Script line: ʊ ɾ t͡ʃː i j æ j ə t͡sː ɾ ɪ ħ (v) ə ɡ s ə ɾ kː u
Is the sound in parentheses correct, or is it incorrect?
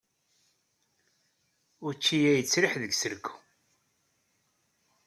incorrect